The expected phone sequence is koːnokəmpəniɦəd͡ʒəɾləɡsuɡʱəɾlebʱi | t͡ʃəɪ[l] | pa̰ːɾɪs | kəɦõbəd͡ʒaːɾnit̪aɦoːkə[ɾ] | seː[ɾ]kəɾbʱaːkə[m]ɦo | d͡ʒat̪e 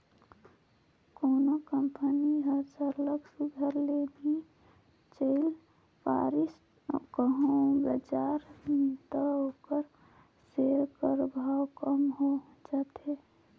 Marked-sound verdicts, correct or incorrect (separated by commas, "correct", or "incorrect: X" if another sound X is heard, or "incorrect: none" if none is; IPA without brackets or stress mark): correct, correct, correct, correct